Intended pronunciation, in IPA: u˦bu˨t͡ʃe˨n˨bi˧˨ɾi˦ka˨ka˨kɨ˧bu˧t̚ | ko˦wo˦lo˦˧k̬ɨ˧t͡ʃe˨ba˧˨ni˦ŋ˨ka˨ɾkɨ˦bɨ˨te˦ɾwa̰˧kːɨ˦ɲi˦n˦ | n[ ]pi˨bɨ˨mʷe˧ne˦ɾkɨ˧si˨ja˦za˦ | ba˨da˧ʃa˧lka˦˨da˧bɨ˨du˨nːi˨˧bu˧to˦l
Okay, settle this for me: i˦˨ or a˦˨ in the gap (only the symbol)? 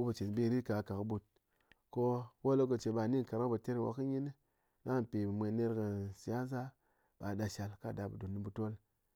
a˦˨